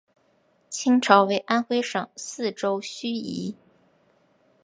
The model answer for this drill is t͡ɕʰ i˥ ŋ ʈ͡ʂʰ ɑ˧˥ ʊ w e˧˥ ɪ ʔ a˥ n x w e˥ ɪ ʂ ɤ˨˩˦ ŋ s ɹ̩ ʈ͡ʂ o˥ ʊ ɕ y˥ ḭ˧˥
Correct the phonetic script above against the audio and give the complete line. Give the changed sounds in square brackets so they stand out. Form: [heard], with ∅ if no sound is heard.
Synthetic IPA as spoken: t͡ɕʰ i˥ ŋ ʈ͡ʂʰ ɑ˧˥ ʊ w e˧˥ ɪ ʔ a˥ n x w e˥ ɪ ʂ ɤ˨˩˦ ŋ s ɹ̩ ʈ͡ʂ o˥ ʊ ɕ y˥ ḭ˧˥